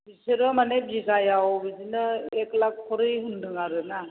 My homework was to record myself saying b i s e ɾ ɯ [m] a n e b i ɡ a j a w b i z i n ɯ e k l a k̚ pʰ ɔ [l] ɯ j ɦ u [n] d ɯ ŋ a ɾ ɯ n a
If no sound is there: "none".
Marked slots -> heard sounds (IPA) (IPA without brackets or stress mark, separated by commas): m, ɾ, n